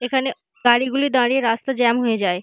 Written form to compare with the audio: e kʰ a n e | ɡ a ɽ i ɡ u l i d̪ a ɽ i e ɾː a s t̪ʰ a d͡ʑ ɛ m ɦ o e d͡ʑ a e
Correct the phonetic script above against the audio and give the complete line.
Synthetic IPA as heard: e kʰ a n e | ɡ a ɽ i ɡ u l i d̪ a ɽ i e ɾ a s t̪ a d͡ʑ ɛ m ɦ o e d͡ʑ a e